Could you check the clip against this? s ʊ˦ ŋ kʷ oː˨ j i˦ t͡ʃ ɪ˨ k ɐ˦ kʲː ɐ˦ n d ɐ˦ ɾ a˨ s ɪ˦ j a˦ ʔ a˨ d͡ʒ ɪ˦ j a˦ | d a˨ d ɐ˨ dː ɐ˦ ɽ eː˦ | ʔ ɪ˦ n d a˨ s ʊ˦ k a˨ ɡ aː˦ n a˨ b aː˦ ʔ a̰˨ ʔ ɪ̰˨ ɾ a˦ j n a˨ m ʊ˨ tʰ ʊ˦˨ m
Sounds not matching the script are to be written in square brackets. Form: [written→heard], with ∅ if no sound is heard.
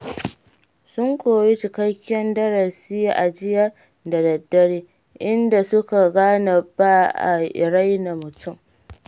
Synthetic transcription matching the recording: s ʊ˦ ŋ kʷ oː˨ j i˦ t͡ʃ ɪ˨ k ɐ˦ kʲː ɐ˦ n d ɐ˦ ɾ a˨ s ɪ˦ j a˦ ʔ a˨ d͡ʒ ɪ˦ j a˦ | d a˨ d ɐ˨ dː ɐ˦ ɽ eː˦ | ʔ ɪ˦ n d a˨ s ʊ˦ k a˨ ɡ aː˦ n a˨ b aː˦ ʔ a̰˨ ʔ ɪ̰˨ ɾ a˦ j n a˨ m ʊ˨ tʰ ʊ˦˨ m